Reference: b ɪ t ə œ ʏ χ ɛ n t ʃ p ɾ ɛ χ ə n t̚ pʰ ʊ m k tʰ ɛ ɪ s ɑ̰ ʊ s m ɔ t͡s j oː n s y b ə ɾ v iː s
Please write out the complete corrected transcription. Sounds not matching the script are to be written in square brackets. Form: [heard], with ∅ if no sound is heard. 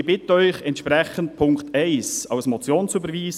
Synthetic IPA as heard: b ɪ t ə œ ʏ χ ɛ n t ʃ p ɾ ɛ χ ə n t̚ pʰ ʊ [ŋ] k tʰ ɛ ɪ s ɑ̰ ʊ s m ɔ t͡s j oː n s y b ə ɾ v iː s